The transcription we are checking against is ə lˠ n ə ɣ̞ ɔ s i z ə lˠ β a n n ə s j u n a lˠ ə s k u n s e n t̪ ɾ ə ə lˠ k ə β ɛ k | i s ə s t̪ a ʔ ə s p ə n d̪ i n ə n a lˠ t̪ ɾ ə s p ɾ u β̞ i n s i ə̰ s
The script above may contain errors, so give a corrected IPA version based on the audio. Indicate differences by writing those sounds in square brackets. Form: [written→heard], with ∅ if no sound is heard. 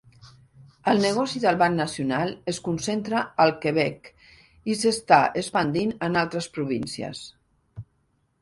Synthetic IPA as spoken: ə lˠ n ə ɣ̞ ɔ s i [z→ð] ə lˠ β a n n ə s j u n a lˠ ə s k u n s e n t̪ ɾ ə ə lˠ k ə β ɛ k | i s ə s t̪ a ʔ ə s p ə n d̪ i n ə n a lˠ t̪ ɾ ə s p ɾ u β̞ i n s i ə̰ s

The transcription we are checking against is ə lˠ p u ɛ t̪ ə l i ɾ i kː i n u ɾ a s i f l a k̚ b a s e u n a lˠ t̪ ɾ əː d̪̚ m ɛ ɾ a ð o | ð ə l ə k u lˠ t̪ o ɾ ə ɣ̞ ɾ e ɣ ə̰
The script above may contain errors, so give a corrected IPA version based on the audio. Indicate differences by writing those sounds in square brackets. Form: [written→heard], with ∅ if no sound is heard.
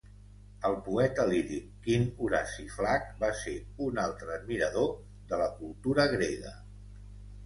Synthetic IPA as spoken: ə lˠ p u ɛ t̪ ə l i ɾ i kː i n u ɾ a s i f l a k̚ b a s e u n a lˠ t̪ ɾ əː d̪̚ m [ɛ→i] ɾ [a→ə] ð o | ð ə l ə k u lˠ t̪ [o→u] ɾ ə ɣ̞ ɾ e ɣ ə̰

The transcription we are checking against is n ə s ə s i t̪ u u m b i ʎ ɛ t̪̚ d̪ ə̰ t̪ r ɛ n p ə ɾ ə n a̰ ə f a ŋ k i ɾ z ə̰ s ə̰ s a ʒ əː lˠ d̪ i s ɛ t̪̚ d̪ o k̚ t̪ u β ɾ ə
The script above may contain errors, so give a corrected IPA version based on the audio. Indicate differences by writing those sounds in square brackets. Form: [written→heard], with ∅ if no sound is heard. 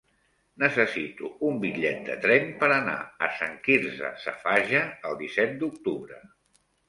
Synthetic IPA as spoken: n ə s ə s i t̪ u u m b i ʎ ɛ t̪̚ d̪ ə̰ t̪ [r→ɾ] ɛ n p ə ɾ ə n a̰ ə [f→s] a ŋ k i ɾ z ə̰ s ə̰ [s→f] a ʒ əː lˠ d̪ i s ɛ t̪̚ d̪ [o→u] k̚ t̪ u β ɾ ə

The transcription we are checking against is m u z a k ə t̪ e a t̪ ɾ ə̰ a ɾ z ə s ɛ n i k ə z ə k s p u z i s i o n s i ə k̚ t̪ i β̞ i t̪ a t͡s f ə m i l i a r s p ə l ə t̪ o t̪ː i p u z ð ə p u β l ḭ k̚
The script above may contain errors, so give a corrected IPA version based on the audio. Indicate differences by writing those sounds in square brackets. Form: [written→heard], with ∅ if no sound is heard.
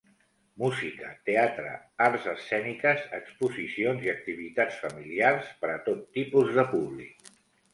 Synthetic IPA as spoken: m u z [a→i] k ə t̪ e a t̪ ɾ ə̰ a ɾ z ə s ɛ n i k ə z ə k s p u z i s i o n [s→z] i ə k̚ t̪ i β̞ i t̪ a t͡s f ə m i l i a r s p ə [l→ɾ] ə t̪ o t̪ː i p u z ð ə p u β l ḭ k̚

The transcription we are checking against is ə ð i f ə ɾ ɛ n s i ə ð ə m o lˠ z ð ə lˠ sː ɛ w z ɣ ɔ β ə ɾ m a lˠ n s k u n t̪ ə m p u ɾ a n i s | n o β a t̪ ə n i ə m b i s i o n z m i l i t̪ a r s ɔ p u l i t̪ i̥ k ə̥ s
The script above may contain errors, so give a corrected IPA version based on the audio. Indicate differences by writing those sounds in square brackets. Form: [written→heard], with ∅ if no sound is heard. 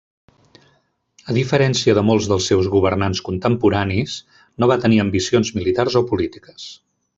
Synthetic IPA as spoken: ə ð i f ə ɾ ɛ n s i ə ð ə m o lˠ z ð ə lˠ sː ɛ w z ɣ [ɔ→u] β ə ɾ [m→n] a [lˠ→∅] n s k u n t̪ ə m p u ɾ a n i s | n o β a t̪ ə n i ə m b i s i o n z m i l i t̪ a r [s→z] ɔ p u l i t̪ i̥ k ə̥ s

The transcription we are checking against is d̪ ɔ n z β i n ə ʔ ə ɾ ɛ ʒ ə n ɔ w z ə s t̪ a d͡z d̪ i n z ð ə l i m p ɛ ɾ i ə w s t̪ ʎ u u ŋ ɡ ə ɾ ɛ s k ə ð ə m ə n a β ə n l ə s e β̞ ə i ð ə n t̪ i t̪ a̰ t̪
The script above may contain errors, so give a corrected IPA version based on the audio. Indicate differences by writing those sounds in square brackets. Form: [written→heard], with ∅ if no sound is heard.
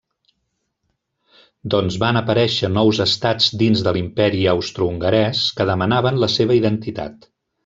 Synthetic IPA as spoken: d̪ ɔ n z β [i→a] n ə [ʔ→p] ə ɾ ɛ [ʒ→ʃ] ə n ɔ w z ə s t̪ a d͡z d̪ i n z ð ə l i m p ɛ ɾ i ə w s t̪ [ʎ→ɾ] u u ŋ ɡ ə ɾ ɛ s k ə ð ə m ə n a β ə n l ə s e β̞ ə i ð ə n t̪ i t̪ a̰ t̪

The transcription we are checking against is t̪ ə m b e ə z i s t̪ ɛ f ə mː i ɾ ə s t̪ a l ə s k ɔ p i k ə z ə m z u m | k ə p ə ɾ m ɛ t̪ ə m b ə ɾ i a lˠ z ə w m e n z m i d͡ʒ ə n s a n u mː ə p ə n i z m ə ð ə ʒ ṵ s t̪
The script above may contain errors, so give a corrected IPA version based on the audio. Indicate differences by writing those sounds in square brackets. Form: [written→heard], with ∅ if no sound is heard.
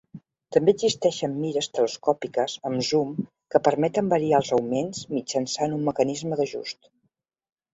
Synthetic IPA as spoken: t̪ ə m b e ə z i s t̪ ɛ [f→ʃ] ə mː i ɾ ə s t̪ [a→ə] l ə s k ɔ p i k ə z ə m z u m | k ə p ə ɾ m ɛ t̪ ə m b ə ɾ i a lˠ z ə w m e n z m i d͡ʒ ə n s a n u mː ə [p→k] ə n i z m ə ð ə ʒ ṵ s t̪

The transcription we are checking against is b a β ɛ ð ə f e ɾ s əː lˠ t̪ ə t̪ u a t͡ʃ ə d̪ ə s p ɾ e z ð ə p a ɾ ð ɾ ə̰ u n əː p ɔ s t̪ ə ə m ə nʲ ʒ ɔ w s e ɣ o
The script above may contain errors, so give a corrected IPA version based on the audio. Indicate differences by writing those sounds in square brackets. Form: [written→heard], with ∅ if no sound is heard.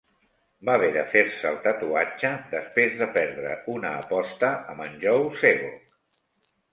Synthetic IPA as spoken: b a β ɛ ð ə f e ɾ s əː lˠ t̪ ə t̪ u a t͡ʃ ə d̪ ə s p ɾ e z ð ə p [a→ɛ] ɾ ð ɾ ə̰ u n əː p ɔ s t̪ ə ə m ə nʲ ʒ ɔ w s e ɣ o

